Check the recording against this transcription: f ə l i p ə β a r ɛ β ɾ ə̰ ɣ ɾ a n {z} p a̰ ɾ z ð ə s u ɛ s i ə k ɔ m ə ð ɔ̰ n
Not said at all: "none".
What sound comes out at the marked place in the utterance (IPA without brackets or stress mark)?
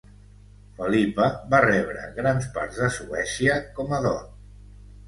s